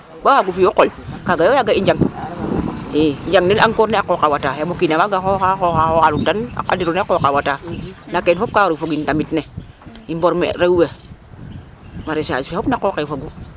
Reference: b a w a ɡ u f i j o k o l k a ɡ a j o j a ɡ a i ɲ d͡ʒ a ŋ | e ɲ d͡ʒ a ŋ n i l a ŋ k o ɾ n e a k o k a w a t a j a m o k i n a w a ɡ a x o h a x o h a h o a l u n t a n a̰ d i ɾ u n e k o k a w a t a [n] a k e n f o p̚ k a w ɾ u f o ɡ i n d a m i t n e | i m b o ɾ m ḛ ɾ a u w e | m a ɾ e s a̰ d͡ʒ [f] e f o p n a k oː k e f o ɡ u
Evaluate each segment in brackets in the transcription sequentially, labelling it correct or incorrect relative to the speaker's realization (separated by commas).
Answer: correct, correct